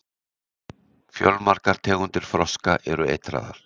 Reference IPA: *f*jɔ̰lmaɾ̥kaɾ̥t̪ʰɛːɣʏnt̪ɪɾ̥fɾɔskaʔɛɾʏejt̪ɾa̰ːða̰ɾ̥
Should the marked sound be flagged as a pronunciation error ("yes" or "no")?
no